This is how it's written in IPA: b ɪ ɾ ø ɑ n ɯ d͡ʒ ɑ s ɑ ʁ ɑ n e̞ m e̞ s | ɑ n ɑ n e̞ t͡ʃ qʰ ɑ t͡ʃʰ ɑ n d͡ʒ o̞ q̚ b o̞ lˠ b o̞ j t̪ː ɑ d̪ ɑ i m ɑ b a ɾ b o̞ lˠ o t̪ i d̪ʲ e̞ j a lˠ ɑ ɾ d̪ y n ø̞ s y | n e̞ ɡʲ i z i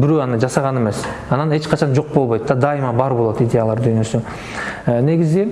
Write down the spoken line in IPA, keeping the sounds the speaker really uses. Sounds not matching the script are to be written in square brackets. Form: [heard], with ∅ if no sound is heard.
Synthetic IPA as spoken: b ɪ ɾ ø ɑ n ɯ d͡ʒ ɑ s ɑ ʁ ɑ n e̞ m e̞ s | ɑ n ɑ n e̞ t͡ʃ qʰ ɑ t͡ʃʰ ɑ n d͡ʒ o̞ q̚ b o̞ lˠ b o̞ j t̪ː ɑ d̪ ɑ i m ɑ b [ɑ] ɾ b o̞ lˠ o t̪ i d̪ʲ e̞ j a lˠ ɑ ɾ d̪ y n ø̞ s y | n e̞ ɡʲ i z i